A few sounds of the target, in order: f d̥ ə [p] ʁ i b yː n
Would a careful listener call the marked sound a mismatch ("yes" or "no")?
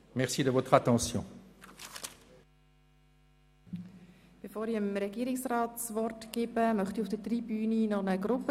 yes